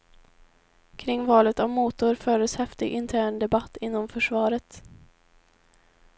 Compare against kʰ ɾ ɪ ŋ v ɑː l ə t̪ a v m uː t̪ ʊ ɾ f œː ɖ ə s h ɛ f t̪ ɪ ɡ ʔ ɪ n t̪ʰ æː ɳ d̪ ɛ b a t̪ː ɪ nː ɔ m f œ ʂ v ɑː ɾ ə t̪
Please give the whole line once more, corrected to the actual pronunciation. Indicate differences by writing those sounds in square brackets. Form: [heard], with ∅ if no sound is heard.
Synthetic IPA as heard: kʰ ɾ ɪ ŋ v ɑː l ə t̪ a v m uː t̪ ʊ ɾ f œː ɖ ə s h ɛ f t̪ ɪ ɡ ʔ ɪ n t̪ʰ æː ɳ d̪ ɛ b a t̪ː ɪ nː ɔ m f œ ʂ v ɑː ɾ ə t̪